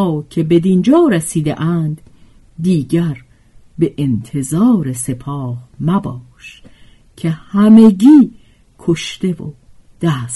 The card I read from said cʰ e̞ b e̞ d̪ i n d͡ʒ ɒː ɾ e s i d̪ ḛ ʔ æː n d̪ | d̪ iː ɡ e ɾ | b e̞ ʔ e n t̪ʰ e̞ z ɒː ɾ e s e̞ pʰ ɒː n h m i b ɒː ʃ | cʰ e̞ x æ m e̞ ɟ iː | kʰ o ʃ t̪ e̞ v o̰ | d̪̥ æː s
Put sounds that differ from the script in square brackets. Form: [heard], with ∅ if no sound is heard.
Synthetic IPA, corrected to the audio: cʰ e̞ b e̞ d̪ i n d͡ʒ ɒː ɾ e s [iː] d̪ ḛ ʔ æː n d̪ | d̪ iː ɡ [æ] ɾ | b e̞ ʔ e n t̪ʰ e̞ z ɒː ɾ e s e̞ pʰ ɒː [∅] h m [æ] b ɒː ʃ | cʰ e̞ [h] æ m e̞ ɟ iː | kʰ o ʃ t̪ e̞ v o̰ | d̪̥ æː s